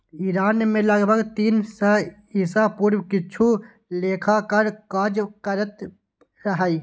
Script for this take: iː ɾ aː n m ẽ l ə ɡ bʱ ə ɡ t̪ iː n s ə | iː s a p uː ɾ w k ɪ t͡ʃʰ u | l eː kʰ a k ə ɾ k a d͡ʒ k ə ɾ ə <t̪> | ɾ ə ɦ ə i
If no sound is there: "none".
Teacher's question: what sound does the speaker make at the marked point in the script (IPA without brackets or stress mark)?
t̪